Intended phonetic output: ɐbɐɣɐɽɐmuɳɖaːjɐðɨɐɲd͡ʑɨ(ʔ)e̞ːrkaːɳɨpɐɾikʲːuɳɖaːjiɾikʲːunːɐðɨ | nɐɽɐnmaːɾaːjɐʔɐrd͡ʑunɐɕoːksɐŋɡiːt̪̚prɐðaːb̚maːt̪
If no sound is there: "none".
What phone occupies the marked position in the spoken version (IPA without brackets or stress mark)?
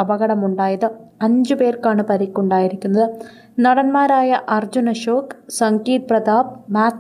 p